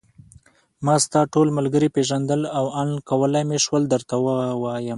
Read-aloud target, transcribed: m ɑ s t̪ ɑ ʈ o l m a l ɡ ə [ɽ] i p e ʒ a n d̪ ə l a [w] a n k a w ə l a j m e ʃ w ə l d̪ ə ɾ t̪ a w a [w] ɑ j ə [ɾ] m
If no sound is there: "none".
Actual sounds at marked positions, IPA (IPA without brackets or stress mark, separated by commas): ɾ, w, w, none